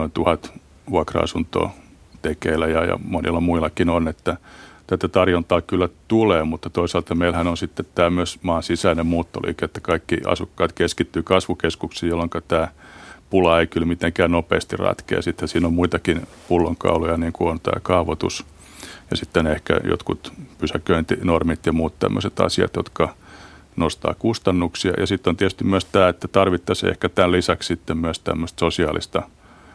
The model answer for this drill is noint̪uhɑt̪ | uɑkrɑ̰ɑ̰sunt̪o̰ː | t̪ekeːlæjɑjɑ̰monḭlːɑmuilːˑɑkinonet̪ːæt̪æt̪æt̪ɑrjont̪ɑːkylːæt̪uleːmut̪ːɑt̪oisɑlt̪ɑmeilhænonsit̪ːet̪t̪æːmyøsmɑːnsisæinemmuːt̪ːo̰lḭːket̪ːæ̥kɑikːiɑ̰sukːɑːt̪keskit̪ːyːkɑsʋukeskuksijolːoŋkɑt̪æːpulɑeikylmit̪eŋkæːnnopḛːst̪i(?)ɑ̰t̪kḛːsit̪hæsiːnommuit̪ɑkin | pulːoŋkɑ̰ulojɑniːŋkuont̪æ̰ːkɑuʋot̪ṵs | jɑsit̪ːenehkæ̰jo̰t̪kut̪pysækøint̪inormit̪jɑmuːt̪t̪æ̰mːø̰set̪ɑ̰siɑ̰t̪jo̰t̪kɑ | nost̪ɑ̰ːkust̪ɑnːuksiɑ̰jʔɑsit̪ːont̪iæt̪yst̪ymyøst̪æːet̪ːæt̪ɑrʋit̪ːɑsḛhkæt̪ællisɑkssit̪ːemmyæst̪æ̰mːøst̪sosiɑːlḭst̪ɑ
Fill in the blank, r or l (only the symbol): r